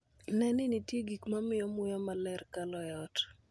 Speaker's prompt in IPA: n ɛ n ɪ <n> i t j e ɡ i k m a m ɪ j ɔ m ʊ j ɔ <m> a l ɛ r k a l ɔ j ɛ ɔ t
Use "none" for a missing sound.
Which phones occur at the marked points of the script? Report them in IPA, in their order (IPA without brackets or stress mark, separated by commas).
n, m